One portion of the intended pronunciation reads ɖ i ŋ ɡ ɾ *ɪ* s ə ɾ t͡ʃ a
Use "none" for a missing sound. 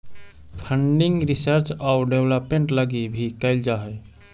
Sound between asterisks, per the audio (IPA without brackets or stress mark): i